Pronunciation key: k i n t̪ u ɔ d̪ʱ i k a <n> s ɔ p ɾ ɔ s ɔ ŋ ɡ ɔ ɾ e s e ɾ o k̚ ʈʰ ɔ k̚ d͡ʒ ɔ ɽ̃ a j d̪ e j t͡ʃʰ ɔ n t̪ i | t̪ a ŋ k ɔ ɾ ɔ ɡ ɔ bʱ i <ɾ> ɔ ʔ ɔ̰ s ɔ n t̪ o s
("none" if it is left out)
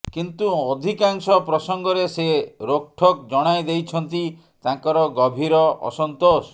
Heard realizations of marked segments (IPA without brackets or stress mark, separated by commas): ŋ, ɾ